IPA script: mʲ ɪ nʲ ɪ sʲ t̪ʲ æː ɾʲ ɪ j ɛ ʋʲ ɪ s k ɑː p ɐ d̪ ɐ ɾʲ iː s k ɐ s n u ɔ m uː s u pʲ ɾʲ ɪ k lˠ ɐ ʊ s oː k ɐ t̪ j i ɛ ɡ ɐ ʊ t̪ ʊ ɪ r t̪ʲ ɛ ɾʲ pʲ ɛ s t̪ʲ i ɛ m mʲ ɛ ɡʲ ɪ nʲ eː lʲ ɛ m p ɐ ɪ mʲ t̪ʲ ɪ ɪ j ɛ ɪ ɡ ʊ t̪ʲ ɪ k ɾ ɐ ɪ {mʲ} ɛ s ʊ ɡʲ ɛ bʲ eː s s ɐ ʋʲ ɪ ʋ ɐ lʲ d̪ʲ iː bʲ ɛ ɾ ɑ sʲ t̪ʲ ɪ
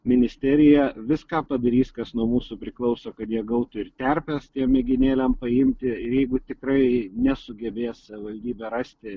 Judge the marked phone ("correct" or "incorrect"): incorrect